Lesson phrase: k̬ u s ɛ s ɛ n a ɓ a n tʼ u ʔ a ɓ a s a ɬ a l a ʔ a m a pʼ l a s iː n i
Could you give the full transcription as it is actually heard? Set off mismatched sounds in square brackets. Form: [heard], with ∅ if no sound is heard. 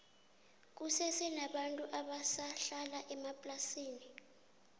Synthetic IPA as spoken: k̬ u s ɛ s ɛ n a ɓ a n tʼ u ʔ a ɓ a s a ɬ a l a ʔ [ɛ] m a pʼ l a s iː n i